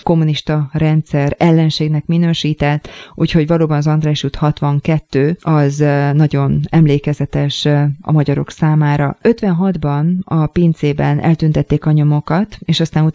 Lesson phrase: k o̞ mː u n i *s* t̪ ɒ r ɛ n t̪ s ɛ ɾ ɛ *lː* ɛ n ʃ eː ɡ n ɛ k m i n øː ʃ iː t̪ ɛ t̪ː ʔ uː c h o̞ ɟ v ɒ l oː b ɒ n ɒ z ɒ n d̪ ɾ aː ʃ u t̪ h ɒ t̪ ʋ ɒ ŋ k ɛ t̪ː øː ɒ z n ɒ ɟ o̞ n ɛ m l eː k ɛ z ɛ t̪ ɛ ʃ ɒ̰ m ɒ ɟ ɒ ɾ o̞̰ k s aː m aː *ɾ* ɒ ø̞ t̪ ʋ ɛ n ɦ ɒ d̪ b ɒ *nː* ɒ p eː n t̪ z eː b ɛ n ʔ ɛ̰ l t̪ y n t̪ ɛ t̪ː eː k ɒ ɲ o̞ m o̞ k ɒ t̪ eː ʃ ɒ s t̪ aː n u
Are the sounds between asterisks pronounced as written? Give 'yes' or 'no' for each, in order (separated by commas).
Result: no, yes, yes, no